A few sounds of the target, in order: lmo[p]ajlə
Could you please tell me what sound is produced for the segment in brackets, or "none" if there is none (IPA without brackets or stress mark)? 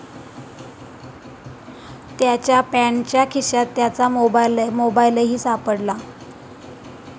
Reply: b